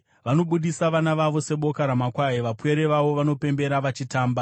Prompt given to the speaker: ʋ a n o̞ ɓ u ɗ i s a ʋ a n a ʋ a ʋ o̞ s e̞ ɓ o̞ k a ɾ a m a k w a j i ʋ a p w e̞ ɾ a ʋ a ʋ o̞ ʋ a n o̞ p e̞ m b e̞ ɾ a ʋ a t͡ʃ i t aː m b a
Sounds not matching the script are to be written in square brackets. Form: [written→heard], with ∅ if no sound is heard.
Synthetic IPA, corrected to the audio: ʋ a n o̞ ɓ u ɗ i s a ʋ a n a ʋ a ʋ o̞ s e̞ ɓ o̞ k a ɾ a m a k w a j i ʋ a p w e̞ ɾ [a→e] ʋ a ʋ o̞ ʋ a n o̞ p e̞ m b e̞ ɾ a ʋ a t͡ʃ i t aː m b a